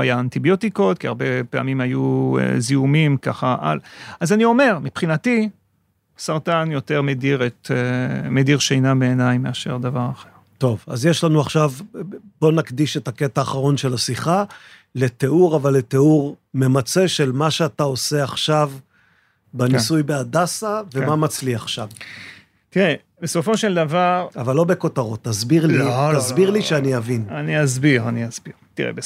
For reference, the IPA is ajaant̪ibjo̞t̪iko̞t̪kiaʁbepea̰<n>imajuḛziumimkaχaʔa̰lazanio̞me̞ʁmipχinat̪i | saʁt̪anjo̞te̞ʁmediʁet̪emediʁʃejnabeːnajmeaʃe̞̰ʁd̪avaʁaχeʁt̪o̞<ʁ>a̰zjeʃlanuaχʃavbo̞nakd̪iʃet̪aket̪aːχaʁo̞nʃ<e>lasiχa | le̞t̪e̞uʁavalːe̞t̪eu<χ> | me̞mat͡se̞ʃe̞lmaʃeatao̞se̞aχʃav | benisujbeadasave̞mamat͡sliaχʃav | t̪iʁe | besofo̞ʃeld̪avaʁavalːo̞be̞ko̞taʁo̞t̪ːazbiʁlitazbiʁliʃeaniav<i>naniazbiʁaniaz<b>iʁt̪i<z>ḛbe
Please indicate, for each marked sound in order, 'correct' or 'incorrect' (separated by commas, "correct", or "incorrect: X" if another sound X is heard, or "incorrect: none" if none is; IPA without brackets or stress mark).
incorrect: m, incorrect: v, correct, incorrect: ʁ, correct, correct, incorrect: ʁ